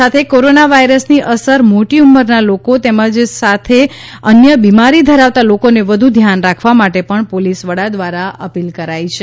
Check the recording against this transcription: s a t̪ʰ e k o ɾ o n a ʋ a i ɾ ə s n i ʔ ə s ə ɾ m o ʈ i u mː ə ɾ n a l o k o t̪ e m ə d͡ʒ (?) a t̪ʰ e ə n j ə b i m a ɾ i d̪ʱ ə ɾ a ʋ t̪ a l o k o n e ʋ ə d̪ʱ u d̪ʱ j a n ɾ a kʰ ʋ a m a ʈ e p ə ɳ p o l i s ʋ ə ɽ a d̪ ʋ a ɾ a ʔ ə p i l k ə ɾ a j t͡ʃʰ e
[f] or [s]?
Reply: s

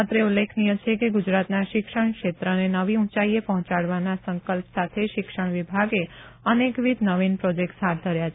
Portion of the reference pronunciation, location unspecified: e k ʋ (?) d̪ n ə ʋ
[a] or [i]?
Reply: i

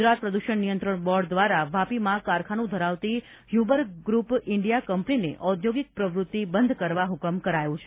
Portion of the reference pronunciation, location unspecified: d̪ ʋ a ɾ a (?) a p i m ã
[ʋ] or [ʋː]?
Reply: ʋ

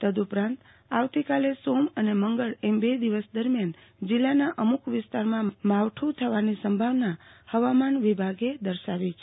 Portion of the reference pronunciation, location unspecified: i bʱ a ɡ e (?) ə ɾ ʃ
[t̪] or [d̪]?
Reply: d̪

